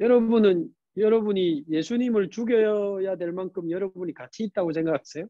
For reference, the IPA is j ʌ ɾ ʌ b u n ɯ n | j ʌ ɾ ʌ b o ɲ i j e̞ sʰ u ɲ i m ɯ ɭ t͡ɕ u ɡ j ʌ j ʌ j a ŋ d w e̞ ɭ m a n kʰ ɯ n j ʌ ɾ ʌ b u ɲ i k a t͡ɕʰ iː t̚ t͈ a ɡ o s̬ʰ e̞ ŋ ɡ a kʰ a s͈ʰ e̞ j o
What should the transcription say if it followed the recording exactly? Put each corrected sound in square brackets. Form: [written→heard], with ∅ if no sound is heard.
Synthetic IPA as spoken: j ʌ ɾ ʌ b u n ɯ n | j ʌ ɾ ʌ b [o→u] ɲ i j e̞ sʰ u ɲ i m ɯ ɭ t͡ɕ u ɡ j ʌ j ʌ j a [ŋ→∅] d w e̞ ɭ m a n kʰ ɯ [n→m] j ʌ ɾ ʌ b u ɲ i k a t͡ɕʰ iː t̚ t͈ a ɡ o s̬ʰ e̞ ŋ ɡ a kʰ a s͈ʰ e̞ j o